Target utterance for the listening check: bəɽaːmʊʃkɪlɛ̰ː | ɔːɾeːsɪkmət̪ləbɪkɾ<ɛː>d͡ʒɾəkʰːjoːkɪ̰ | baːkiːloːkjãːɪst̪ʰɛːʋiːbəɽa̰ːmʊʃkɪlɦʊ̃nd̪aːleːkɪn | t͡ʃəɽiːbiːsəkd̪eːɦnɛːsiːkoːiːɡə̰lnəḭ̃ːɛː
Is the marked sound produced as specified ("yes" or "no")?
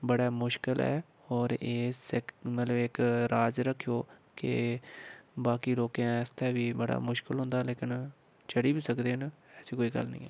no